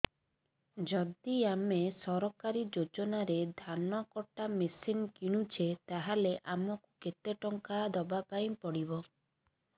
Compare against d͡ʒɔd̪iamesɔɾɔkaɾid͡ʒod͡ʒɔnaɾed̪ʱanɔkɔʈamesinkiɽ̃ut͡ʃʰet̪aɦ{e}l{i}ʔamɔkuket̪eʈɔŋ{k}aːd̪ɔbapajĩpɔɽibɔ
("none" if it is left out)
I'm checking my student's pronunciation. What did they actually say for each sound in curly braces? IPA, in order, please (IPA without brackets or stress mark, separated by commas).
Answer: a, e, k